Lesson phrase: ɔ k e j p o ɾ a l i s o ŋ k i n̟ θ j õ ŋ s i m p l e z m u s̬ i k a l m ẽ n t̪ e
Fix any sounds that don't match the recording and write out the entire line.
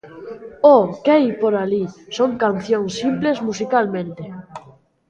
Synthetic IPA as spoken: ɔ k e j p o ɾ a l i s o ŋ k a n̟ θ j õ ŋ s i m p l e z m u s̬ i k a l m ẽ n t̪ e